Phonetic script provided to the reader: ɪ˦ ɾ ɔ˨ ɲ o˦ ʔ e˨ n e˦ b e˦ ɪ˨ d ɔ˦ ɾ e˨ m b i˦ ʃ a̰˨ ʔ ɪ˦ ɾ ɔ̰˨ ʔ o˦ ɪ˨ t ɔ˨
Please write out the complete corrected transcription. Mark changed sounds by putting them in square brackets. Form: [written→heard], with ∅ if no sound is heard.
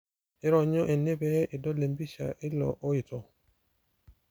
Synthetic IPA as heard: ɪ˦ ɾ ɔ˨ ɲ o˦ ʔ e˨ n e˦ b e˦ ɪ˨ d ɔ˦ [ɾ→l] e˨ m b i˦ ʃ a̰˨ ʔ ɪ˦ [ɾ→l] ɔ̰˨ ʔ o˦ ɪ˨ t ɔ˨